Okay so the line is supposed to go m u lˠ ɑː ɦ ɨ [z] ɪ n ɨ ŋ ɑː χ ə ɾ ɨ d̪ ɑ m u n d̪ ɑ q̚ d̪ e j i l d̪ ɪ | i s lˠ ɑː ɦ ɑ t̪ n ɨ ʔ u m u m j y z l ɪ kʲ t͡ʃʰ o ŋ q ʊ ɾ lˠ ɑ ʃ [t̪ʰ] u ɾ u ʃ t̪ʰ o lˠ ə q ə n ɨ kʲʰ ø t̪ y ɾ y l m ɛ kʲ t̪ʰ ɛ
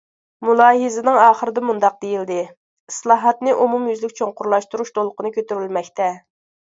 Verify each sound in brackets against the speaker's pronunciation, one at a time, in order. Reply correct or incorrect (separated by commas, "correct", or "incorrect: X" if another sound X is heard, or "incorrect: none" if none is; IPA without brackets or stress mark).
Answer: correct, incorrect: t̪